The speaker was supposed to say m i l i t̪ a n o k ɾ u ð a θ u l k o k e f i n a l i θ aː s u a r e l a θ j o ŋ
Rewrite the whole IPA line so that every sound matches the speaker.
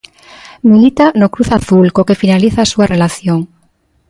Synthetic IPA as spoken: m i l i t̪ a n o k ɾ u θ a θ u l k o k e f i n a l i θ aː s u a r e l a θ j o ŋ